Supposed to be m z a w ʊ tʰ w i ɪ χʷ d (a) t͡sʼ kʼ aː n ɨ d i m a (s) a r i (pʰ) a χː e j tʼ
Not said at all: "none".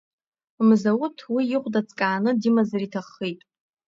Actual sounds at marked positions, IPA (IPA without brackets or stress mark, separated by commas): a, z, tʰ